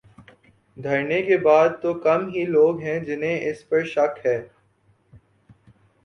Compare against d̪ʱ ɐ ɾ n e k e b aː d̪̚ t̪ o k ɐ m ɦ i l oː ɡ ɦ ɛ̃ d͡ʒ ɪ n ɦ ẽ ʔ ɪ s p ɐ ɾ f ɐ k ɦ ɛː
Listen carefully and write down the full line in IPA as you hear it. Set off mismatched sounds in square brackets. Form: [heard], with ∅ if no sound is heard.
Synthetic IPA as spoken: d̪ʱ ɐ ɾ n e k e b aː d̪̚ t̪ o k ɐ m ɦ i l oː ɡ ɦ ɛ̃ d͡ʒ ɪ n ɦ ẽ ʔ ɪ s p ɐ ɾ [ʃ] ɐ k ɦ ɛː